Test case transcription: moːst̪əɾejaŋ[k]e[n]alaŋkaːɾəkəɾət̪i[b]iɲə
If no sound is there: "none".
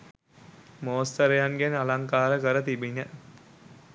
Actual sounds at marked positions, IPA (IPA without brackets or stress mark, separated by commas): ɡ, n, b